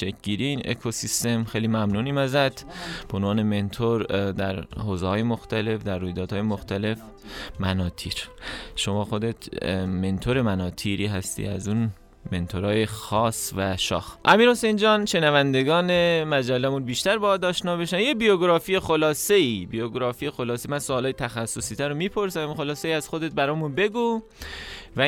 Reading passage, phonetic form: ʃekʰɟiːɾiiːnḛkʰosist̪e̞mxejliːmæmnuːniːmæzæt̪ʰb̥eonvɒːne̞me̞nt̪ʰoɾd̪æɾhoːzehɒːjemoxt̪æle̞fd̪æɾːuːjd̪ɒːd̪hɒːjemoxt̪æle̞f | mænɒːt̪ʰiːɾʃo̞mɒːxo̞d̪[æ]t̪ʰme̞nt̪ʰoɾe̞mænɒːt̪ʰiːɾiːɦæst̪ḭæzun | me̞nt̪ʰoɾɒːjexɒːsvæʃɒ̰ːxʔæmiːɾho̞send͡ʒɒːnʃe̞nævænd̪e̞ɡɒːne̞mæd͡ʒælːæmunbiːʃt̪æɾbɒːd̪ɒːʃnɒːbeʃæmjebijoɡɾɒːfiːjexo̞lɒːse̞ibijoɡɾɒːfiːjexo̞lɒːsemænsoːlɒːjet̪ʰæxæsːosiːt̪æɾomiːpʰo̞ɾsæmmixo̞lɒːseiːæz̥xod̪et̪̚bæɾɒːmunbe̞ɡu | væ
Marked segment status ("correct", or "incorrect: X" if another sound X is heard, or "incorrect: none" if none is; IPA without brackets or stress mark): incorrect: e